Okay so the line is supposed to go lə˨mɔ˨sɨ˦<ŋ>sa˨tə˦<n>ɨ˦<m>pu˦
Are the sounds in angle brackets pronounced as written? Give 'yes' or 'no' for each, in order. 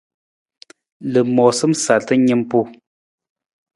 no, no, yes

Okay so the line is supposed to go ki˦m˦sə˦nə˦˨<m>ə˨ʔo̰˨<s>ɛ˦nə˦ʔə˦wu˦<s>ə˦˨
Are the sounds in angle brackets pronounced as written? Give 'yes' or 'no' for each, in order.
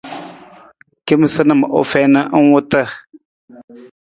yes, no, no

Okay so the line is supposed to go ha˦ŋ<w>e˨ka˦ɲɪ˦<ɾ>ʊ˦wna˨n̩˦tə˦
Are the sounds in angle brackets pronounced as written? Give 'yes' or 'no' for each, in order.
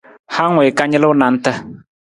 yes, no

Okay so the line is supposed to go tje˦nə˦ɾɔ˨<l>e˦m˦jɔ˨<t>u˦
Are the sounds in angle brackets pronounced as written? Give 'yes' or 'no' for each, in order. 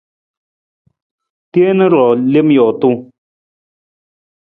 yes, yes

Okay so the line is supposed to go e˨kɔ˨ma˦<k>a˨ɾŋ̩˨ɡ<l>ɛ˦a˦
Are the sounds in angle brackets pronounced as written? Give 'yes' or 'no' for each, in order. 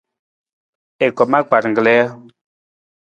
no, yes

